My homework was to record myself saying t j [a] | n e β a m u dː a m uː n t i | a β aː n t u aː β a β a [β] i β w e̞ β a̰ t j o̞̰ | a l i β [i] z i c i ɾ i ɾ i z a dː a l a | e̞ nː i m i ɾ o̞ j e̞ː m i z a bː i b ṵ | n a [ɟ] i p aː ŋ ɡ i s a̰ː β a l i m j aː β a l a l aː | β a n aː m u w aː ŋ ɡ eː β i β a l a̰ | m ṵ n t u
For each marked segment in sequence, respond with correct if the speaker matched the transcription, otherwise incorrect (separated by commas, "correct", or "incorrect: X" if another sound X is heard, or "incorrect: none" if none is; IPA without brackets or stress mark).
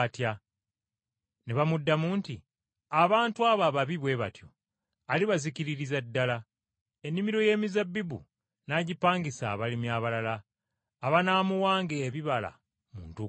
correct, correct, incorrect: a, correct